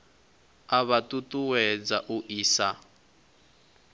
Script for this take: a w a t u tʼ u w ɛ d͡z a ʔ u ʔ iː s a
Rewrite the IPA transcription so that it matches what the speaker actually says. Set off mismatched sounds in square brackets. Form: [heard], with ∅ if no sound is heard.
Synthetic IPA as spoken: a [β] a t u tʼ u w ɛ d͡z a ʔ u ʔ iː s a